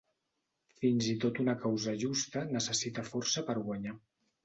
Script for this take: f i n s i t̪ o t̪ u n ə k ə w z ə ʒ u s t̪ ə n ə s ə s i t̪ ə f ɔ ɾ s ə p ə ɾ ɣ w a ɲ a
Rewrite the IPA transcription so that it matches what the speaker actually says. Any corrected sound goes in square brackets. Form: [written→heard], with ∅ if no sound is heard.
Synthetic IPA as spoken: f i n [s→z] i t̪ o t̪ u n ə k [ə→a] w z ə ʒ u s t̪ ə n ə s ə s i t̪ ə f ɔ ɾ s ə p ə ɾ ɣ w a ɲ a